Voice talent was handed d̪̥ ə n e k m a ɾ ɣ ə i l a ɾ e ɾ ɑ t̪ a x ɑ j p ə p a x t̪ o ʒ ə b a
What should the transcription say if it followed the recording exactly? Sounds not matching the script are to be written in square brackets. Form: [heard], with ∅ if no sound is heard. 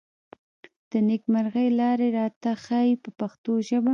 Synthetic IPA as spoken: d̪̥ ə n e k m a ɾ ɣ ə [j] l [ɑ] ɾ e ɾ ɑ t̪ a x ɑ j p ə p a x t̪ o ʒ ə b a